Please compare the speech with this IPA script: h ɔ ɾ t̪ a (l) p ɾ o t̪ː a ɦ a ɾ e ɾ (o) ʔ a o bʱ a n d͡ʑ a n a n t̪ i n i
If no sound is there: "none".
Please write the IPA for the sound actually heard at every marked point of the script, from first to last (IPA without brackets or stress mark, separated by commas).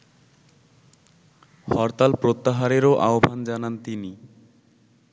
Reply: l, o